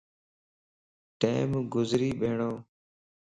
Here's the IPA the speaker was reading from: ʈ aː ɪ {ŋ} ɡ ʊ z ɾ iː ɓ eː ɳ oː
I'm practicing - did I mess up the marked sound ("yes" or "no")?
yes